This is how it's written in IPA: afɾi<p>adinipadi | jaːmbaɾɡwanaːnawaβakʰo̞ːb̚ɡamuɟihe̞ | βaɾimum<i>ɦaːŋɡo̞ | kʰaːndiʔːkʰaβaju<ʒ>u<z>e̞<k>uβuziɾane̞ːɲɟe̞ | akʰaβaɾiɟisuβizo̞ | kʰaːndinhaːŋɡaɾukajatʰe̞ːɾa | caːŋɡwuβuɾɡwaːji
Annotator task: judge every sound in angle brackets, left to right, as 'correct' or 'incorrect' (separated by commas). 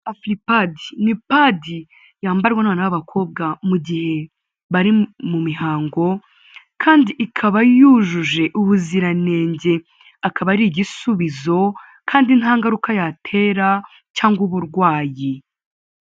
correct, correct, correct, incorrect, incorrect